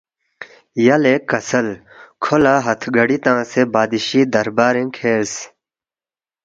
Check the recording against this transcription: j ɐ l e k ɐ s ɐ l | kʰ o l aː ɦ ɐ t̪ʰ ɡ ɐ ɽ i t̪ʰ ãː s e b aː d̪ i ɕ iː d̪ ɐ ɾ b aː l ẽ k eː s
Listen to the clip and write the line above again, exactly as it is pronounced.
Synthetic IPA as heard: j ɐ l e k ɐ s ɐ l | kʰ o l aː ɦ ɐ t̪ʰ ɡ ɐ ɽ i t̪ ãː s e b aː d̪ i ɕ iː d̪ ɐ ɾ b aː ɾ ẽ kʰ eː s